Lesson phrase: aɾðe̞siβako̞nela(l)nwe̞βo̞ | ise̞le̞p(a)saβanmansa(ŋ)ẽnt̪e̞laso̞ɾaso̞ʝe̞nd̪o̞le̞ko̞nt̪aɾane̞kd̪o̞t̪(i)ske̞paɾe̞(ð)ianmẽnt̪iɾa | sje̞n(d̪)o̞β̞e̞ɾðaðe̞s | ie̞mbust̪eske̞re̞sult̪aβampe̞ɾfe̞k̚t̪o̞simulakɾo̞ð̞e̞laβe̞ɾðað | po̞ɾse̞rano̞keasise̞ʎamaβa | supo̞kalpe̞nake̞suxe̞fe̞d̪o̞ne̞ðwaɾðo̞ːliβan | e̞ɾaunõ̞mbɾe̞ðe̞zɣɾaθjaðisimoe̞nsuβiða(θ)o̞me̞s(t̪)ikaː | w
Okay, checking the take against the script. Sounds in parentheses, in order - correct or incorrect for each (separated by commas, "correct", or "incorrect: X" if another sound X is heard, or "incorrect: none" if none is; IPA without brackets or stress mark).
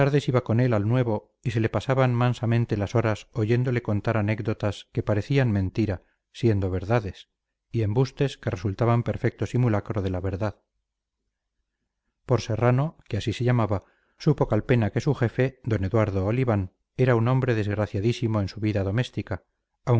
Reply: correct, correct, incorrect: m, incorrect: a, incorrect: θ, correct, incorrect: ð, correct